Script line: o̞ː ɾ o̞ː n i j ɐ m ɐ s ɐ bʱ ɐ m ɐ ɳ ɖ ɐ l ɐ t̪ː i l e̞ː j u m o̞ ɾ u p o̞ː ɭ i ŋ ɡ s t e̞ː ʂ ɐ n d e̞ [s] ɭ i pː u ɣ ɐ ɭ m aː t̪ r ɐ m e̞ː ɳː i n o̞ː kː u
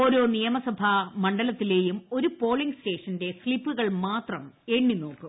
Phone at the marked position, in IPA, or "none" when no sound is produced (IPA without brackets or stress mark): s